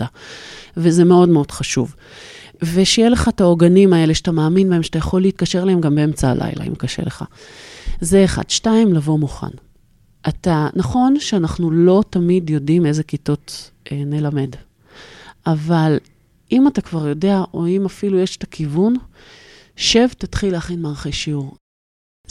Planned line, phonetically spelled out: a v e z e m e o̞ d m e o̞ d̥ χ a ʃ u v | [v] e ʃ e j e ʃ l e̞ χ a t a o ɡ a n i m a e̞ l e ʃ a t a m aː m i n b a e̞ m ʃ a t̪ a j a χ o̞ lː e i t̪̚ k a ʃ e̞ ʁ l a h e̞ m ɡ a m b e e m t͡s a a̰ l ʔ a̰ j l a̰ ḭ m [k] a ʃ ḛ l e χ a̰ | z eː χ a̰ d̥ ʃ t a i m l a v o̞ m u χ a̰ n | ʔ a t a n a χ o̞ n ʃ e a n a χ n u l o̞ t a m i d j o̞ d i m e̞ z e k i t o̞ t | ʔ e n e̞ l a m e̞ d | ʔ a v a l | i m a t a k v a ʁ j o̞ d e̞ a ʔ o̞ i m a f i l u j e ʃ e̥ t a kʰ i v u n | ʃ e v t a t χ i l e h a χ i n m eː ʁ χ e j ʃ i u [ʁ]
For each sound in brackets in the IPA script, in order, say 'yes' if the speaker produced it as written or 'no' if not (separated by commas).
yes, yes, yes